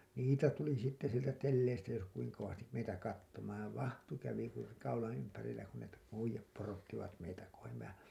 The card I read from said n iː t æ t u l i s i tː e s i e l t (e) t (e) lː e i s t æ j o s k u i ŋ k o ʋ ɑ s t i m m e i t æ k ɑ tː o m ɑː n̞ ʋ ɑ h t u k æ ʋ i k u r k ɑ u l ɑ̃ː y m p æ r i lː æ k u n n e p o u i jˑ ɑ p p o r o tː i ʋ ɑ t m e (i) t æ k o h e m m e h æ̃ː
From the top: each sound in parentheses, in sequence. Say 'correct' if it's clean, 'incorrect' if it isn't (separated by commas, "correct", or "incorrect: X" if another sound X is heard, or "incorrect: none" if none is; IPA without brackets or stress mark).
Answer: incorrect: æ, correct, correct